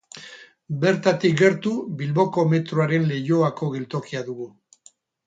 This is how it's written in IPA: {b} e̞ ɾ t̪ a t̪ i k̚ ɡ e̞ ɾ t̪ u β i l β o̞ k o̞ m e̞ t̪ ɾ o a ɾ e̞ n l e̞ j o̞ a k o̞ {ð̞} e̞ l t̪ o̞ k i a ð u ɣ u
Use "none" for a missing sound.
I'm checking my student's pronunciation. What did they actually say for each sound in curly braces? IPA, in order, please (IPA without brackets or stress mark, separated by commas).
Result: b, ɣ̞